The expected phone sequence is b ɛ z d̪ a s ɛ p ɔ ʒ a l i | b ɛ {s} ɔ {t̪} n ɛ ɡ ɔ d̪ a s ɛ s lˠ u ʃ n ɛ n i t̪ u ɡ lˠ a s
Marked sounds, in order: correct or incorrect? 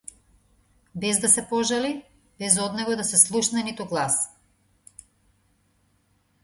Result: incorrect: z, incorrect: d̪

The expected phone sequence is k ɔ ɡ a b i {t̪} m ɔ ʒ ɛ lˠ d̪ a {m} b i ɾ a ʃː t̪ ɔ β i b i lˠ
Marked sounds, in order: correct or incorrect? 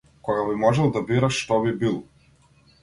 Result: incorrect: none, incorrect: none

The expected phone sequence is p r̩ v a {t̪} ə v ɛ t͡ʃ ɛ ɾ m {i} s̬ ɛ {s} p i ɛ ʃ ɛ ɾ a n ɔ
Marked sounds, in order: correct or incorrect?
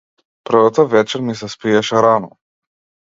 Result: correct, correct, correct

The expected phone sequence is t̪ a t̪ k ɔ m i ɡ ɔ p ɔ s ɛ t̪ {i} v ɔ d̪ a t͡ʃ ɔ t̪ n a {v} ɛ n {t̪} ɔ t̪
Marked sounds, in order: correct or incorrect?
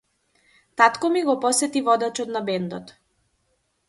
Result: correct, incorrect: b, incorrect: d̪

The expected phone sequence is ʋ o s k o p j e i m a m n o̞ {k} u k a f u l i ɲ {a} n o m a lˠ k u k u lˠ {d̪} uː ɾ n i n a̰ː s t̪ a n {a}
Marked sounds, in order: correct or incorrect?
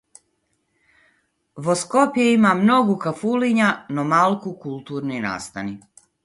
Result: incorrect: ɡ, correct, incorrect: t̪, incorrect: i

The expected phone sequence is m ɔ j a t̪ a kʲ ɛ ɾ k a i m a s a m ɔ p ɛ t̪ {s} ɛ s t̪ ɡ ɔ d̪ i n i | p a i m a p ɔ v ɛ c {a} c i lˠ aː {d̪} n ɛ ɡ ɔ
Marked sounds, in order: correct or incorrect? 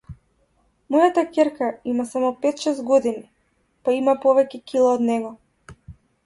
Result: incorrect: ʃ, incorrect: ɛ, correct

